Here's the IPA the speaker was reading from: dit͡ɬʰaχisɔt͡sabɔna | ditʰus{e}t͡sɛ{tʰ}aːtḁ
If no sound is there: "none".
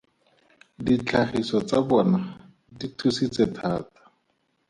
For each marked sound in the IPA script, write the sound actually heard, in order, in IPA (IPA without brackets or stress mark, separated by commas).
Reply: i, tʰ